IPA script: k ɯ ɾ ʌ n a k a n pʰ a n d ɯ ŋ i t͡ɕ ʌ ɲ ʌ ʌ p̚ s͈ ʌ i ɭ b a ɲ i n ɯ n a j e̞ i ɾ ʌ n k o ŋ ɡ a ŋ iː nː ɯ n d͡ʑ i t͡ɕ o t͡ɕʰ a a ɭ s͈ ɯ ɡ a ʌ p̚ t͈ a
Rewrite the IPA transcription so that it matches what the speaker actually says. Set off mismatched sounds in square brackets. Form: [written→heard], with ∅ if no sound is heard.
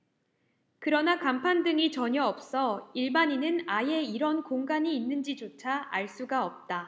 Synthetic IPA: k ɯ ɾ ʌ n a k a [n→m] pʰ a n d ɯ ŋ i t͡ɕ ʌ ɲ ʌ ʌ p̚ s͈ ʌ i ɭ b a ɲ i n ɯ n a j e̞ i ɾ ʌ n k o ŋ ɡ a [ŋ→ɲ] iː nː ɯ n d͡ʑ i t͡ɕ o t͡ɕʰ a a ɭ s͈ [ɯ→u] ɡ a ʌ p̚ t͈ a